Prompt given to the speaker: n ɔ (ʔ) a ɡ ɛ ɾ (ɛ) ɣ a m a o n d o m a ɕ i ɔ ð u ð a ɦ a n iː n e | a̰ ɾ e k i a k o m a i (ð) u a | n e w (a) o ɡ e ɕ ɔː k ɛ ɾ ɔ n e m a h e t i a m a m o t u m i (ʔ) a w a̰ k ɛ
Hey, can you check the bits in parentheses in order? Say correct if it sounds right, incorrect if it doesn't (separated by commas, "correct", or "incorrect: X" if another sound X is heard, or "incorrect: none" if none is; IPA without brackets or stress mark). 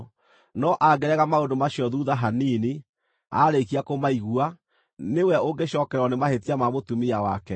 correct, correct, incorrect: ɣ, incorrect: ɛ, incorrect: none